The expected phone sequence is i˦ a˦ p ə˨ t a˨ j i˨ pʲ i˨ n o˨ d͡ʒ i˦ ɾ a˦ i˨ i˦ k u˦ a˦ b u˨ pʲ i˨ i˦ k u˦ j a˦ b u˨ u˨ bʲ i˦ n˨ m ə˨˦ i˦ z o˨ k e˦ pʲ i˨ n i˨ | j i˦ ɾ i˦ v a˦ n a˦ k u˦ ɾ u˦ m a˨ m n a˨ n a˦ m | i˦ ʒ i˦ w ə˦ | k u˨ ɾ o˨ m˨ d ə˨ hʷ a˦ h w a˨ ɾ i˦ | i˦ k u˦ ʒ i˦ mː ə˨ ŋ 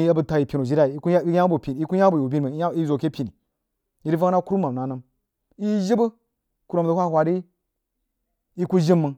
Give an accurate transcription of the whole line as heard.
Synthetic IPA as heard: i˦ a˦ b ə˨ t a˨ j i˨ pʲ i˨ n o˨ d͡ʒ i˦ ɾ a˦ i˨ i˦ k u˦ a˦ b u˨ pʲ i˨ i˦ k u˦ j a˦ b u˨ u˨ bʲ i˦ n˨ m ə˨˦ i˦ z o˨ k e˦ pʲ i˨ n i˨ | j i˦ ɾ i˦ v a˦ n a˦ k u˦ ɾ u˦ m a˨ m n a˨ n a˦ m | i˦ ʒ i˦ b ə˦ | k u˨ ɾ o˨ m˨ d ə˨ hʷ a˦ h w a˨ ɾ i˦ | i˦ k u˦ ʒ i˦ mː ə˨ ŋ